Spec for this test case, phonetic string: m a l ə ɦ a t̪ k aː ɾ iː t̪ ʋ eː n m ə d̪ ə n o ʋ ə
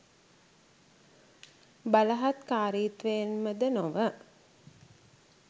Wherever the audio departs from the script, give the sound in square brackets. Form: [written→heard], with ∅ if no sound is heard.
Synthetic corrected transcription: [m→b] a l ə ɦ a t̪ k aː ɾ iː t̪ ʋ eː n m ə d̪ ə n o ʋ ə